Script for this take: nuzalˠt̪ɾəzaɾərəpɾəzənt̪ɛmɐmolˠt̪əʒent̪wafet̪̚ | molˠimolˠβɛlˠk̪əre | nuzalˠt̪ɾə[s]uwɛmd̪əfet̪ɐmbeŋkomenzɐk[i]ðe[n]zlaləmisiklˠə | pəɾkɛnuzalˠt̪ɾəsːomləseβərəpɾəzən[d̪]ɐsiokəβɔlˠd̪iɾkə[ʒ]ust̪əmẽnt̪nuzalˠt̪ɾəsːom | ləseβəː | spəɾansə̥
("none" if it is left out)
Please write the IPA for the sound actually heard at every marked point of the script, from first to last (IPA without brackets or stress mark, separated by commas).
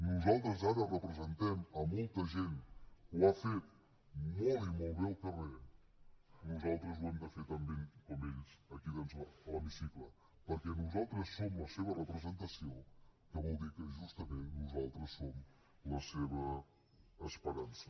z, i, n, t̪, ʒ